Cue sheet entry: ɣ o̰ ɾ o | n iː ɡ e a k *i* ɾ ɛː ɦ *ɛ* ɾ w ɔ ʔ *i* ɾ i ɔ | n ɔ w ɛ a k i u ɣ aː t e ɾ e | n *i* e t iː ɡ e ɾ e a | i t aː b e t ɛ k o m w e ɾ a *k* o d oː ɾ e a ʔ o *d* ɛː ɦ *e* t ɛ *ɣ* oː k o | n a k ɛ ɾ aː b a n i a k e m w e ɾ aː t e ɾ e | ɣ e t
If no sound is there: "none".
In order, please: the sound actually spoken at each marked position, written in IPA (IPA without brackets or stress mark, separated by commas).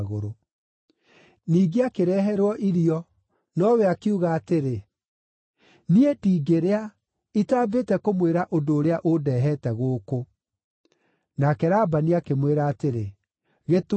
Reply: e, ɛ, i, i, ʔ, d, ɛ, ɣ